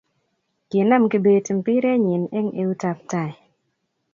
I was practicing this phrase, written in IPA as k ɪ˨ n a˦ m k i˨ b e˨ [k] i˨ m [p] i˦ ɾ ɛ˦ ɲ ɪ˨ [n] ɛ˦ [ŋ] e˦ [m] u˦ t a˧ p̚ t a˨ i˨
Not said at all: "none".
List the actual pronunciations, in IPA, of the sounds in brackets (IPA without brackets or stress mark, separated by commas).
t, p, n, ŋ, none